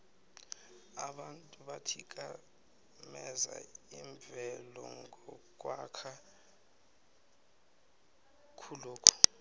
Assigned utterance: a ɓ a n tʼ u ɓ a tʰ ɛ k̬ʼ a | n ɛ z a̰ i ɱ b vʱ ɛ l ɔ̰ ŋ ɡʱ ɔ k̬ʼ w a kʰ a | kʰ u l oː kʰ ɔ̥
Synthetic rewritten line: a ɓ a n tʼ u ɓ a tʰ i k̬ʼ a | m ɛ z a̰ i ɱ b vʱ ɛ l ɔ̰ ŋ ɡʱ ɔ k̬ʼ w a kʰ a | kʰ u l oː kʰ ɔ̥